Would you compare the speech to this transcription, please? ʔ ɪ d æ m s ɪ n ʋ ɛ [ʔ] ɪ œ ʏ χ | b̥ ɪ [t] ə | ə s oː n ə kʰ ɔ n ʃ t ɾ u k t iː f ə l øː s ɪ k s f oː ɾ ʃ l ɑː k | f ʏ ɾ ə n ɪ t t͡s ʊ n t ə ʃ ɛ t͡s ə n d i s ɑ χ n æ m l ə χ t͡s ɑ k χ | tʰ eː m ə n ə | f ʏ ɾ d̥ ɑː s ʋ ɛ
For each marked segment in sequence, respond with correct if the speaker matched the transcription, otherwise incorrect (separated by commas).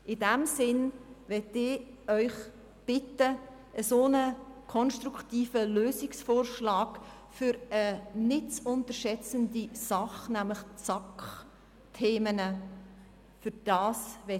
incorrect, correct